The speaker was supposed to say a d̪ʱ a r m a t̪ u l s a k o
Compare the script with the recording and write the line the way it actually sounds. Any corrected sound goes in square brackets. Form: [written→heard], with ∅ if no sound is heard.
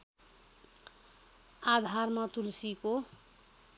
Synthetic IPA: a d̪ʱ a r m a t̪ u l s [a→i] k o